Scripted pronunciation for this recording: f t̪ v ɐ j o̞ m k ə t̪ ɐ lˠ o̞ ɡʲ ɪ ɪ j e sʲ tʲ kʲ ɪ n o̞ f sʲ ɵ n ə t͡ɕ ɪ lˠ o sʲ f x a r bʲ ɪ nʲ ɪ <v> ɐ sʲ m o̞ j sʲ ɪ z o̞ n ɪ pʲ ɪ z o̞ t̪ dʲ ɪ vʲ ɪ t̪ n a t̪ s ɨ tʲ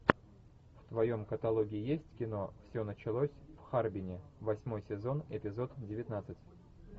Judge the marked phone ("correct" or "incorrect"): correct